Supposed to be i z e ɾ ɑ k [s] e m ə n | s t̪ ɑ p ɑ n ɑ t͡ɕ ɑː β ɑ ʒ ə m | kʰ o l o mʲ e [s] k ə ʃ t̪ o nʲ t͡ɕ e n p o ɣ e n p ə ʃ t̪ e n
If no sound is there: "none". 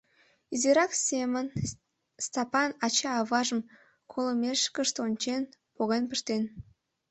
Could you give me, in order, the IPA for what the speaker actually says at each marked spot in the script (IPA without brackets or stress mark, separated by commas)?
s, ʃ